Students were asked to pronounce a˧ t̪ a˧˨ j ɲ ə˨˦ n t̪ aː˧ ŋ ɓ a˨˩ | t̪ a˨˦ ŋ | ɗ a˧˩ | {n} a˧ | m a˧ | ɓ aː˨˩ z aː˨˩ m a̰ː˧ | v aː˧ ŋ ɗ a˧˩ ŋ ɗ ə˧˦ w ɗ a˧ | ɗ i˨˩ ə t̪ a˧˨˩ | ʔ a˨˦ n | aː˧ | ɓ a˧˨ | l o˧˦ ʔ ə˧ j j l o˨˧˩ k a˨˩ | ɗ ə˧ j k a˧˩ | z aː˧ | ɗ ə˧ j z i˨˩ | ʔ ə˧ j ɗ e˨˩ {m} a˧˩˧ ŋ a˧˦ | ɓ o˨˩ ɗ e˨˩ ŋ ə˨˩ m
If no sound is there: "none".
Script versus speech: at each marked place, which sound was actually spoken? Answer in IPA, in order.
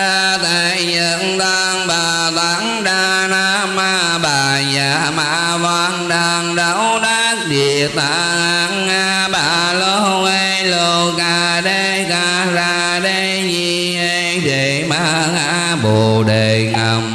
n, m

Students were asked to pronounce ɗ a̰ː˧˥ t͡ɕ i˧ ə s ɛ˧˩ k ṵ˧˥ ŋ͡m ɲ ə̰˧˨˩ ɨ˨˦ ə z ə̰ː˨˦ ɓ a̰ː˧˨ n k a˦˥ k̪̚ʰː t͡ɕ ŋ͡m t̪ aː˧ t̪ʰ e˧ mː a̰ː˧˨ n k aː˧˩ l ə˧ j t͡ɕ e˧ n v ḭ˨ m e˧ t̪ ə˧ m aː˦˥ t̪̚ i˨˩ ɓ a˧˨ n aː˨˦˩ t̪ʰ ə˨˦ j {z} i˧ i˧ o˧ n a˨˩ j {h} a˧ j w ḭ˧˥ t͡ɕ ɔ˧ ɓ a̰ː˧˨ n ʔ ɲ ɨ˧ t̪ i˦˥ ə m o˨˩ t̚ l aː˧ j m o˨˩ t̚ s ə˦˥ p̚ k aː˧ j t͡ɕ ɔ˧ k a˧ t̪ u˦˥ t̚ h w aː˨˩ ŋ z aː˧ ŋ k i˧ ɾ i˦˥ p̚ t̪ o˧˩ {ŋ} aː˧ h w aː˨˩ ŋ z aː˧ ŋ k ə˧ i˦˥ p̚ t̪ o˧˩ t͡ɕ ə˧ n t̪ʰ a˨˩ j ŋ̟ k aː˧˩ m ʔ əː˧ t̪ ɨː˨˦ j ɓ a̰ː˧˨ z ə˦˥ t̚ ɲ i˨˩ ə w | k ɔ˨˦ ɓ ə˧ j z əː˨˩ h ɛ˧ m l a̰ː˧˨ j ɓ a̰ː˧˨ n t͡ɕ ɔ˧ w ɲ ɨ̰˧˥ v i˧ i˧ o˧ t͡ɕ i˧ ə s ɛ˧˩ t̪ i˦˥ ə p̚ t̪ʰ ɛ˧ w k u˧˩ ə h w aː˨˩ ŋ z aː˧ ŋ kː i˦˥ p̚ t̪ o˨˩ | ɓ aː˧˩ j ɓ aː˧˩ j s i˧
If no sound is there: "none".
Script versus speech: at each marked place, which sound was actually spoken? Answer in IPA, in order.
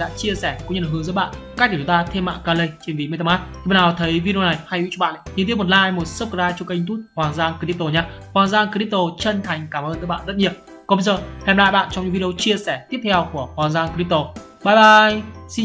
v, h, ɲ

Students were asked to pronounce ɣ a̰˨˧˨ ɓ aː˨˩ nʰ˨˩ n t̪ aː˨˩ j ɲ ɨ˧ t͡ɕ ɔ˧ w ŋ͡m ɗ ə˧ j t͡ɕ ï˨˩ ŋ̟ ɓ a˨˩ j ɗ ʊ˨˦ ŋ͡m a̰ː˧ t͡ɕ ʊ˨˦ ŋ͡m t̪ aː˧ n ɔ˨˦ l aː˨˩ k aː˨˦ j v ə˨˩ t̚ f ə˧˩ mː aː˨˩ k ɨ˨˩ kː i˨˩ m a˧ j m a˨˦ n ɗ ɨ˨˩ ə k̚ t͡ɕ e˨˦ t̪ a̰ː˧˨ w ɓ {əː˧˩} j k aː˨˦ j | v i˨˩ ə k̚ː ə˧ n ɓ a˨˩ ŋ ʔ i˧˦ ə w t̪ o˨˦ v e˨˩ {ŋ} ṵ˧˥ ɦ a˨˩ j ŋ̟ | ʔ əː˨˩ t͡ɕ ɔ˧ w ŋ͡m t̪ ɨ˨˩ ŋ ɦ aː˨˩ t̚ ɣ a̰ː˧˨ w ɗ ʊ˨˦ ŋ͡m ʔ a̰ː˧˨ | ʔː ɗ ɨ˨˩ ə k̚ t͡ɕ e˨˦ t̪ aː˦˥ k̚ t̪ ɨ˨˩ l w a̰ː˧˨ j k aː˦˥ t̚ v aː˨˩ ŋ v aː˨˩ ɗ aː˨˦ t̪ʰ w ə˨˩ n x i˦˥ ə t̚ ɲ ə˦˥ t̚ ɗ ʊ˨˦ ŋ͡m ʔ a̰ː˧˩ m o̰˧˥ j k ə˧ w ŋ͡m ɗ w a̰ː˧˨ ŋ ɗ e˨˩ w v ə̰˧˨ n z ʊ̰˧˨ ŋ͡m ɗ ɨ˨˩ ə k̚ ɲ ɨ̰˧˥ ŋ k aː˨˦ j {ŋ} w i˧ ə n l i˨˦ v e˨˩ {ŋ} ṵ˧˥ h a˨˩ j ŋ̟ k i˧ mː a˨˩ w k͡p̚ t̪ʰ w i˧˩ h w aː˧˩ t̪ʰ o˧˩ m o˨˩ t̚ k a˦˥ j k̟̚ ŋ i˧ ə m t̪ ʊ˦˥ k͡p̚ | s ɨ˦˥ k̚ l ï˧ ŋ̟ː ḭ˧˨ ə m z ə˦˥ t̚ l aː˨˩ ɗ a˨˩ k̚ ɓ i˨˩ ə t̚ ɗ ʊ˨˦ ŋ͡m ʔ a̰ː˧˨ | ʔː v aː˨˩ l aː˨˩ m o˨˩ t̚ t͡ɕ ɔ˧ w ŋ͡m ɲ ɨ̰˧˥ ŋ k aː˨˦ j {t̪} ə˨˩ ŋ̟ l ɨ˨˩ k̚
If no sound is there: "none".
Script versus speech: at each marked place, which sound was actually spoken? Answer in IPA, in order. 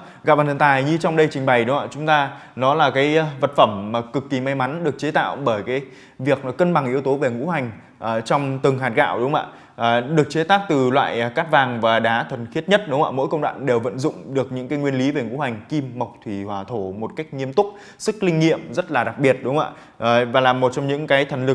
əː˧˩, ŋ, ŋ, ŋ, t̪ʰ

